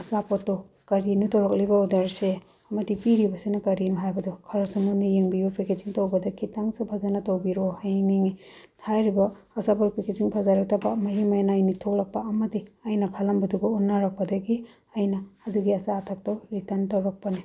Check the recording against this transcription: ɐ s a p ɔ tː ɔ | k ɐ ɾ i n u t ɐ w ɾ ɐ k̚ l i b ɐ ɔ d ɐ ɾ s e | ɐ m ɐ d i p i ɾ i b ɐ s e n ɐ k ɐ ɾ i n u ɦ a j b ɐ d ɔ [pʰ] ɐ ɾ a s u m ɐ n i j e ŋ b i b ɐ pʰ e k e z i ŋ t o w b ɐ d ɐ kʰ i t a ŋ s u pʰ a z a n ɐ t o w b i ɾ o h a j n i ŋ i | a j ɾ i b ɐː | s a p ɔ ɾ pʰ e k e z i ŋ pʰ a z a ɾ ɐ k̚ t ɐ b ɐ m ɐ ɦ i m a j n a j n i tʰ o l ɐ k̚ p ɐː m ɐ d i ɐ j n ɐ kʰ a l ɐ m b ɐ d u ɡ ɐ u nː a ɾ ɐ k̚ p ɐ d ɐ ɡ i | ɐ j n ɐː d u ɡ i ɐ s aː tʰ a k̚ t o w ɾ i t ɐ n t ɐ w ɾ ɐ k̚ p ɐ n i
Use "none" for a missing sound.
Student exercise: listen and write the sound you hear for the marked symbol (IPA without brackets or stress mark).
kʰ